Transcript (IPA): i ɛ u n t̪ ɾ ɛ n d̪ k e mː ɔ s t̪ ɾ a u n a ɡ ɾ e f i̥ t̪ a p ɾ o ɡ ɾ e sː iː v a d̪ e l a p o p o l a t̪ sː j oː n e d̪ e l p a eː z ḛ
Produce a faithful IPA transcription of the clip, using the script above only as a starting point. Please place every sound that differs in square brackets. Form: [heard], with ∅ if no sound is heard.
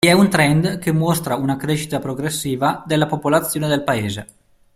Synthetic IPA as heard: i ɛ u n t̪ ɾ ɛ n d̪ k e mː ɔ s t̪ ɾ a u n a [k] ɾ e [ʃ] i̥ t̪ a p ɾ o ɡ ɾ e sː iː v a d̪ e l a p o p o l a t̪ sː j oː n e d̪ e l p a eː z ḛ